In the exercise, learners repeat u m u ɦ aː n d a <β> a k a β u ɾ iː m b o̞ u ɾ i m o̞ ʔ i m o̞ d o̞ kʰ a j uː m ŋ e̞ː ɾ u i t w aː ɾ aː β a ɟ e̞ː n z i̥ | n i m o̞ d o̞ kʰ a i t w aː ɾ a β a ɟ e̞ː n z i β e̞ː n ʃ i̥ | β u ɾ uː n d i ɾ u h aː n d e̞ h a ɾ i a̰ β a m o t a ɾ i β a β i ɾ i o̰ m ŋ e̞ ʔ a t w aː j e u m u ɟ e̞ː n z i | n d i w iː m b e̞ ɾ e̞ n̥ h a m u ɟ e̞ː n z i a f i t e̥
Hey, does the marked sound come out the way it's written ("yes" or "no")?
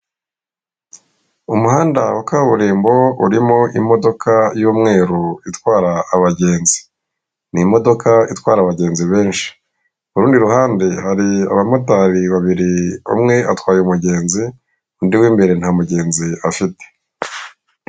no